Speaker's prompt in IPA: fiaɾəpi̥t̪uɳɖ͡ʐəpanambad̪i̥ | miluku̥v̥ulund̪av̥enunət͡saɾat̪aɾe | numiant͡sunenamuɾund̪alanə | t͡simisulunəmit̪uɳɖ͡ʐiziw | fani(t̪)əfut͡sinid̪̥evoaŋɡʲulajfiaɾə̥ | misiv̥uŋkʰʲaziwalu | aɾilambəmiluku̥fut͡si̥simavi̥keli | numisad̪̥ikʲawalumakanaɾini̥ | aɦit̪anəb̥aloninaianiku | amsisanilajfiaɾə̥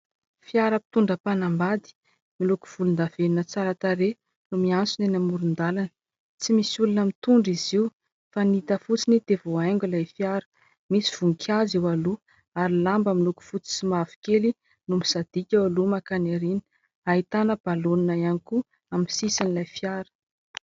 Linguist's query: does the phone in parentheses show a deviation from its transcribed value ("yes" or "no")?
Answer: no